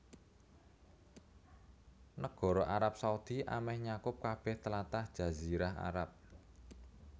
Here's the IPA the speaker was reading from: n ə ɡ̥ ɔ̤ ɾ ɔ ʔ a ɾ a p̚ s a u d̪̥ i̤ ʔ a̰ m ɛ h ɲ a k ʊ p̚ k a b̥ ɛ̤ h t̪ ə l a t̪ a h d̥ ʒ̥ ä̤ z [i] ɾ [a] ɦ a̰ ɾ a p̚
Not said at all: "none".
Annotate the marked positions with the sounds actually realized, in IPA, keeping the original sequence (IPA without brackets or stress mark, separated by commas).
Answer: i, a